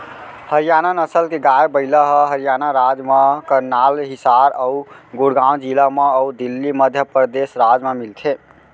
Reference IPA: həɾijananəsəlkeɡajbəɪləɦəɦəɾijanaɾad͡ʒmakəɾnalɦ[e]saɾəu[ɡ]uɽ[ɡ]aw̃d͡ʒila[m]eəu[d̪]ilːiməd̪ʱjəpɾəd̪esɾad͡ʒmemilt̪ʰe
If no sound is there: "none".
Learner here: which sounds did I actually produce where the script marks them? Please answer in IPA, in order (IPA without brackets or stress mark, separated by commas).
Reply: i, ɡ, ɡ, m, d̪